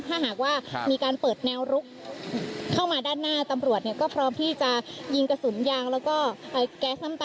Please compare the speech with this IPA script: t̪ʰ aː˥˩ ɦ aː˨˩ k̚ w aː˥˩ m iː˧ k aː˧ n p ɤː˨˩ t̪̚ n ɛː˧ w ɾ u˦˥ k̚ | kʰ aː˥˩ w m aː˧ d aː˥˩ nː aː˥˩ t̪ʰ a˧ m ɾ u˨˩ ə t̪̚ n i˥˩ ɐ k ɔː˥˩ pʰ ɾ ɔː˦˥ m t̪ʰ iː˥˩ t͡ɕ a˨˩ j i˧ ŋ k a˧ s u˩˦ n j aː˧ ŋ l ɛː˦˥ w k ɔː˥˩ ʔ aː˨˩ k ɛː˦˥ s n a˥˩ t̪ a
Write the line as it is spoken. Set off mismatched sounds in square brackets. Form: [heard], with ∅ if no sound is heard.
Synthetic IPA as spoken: t̪ʰ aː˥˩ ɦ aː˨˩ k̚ w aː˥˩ m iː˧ k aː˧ n p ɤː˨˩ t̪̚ n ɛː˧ w ɾ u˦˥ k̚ | kʰ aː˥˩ w m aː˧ d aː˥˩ nː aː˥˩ [t̪] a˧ m ɾ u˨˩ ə t̪̚ n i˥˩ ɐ k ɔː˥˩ pʰ ɾ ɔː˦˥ m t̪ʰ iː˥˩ t͡ɕ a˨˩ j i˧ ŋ k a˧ s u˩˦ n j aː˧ ŋ l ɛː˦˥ w k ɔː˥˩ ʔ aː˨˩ k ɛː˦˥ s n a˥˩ t̪ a